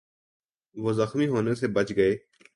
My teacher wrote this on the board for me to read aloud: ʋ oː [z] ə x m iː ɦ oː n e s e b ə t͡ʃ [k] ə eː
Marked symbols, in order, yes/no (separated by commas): yes, no